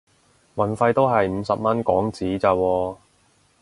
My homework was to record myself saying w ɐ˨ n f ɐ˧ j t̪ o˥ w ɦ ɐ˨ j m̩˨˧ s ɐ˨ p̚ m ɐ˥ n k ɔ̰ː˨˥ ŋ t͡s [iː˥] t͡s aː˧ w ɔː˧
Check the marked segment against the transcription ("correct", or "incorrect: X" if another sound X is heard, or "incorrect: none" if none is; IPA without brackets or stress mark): incorrect: iː˨˥